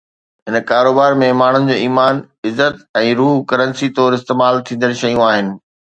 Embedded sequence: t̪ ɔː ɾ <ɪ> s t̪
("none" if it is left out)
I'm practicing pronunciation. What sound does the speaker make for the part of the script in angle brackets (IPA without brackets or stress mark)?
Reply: ɪ